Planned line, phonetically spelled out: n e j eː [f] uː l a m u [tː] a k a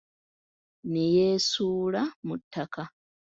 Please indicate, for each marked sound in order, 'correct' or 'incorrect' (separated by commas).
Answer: incorrect, correct